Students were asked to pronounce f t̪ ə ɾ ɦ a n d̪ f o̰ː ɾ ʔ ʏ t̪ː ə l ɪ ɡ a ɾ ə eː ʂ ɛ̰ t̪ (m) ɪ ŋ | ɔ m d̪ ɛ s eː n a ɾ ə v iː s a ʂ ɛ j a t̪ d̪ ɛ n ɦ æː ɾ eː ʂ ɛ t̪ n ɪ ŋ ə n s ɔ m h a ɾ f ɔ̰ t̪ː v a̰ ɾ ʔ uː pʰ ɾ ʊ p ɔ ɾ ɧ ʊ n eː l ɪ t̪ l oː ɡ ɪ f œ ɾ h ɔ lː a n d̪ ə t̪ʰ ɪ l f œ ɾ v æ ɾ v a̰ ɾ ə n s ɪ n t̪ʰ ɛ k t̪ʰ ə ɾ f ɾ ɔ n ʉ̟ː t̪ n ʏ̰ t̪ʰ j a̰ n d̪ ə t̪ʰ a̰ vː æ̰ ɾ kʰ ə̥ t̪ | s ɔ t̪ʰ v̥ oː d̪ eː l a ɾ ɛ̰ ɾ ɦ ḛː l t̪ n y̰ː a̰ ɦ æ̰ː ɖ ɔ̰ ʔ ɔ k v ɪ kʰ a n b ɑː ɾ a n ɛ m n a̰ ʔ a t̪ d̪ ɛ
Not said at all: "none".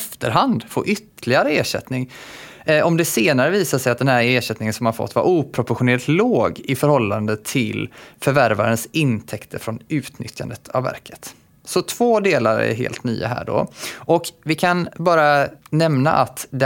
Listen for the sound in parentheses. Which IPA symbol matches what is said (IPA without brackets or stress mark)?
n